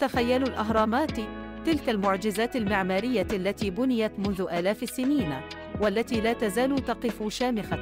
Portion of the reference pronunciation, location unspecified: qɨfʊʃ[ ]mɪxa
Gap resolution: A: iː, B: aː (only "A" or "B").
B